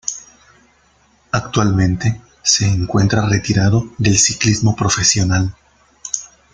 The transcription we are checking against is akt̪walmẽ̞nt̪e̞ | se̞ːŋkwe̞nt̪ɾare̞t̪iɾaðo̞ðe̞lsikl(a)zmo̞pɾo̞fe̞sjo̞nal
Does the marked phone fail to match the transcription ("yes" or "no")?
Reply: yes